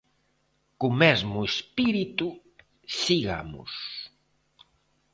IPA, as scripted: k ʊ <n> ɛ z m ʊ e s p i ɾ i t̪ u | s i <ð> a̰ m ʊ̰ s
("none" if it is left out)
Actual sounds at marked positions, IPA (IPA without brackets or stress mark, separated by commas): m, ɣ